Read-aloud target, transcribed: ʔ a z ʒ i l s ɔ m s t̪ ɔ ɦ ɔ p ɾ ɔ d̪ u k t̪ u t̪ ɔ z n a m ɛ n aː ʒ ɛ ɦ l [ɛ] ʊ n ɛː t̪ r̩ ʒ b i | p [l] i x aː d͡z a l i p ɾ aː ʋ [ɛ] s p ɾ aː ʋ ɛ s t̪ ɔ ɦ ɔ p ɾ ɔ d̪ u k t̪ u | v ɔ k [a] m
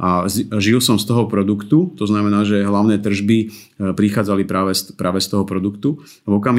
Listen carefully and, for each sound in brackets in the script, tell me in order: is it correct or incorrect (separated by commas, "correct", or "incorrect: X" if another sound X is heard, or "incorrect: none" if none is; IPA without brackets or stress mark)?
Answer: incorrect: a, incorrect: ɾ, correct, correct